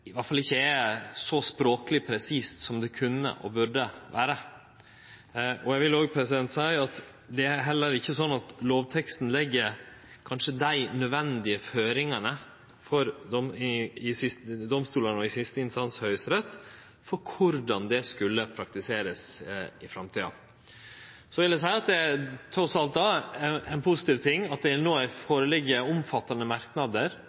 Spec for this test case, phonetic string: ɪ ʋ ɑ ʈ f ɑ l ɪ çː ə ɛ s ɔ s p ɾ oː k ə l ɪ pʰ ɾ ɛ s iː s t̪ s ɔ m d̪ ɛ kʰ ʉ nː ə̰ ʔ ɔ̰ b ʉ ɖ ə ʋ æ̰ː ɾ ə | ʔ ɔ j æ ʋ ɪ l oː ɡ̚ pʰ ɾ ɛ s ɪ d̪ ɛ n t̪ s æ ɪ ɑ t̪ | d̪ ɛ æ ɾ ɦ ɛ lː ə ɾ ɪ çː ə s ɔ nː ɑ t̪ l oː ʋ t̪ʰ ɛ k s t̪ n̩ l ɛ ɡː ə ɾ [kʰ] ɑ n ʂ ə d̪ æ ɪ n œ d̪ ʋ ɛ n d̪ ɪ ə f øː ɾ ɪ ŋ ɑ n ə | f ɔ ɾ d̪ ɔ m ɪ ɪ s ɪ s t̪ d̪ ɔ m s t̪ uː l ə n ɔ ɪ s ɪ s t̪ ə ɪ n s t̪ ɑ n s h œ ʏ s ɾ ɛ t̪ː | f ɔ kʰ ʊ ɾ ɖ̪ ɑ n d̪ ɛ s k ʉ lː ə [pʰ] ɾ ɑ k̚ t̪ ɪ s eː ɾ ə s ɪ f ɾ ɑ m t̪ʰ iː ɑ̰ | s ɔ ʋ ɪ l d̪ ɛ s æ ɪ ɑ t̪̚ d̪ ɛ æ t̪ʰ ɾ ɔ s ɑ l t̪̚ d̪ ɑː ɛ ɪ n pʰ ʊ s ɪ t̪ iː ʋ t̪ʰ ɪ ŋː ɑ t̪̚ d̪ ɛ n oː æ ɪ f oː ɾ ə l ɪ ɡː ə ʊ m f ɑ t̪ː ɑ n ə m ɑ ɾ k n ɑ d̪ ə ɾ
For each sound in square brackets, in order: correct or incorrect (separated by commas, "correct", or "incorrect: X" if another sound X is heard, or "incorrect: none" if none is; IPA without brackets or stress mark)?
correct, correct